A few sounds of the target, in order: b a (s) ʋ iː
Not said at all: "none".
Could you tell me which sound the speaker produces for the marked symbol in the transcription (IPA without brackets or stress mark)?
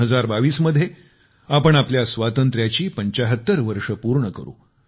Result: none